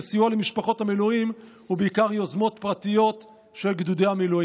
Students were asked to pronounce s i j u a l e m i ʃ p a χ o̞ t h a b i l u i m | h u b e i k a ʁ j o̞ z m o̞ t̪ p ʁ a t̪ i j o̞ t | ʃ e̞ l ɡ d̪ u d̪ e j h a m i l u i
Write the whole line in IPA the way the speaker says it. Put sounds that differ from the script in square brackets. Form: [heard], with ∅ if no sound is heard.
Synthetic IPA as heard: s i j u a l e m i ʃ p a χ o̞ t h a [m] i l u i m | h u b e i k a ʁ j o̞ z m o̞ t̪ p ʁ a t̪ i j o̞ t | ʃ e̞ l ɡ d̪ u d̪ e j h a m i l u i